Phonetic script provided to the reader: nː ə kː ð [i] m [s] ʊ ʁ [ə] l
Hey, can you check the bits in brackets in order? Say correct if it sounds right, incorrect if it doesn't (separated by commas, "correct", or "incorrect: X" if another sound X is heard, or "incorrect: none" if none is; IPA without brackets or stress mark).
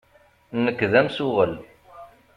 incorrect: æ, correct, correct